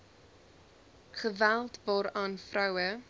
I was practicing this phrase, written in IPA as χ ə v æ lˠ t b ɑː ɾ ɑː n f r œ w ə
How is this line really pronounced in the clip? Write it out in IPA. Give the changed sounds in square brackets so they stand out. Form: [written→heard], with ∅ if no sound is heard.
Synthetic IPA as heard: χ ə v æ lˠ t [b→v] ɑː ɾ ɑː n f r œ w ə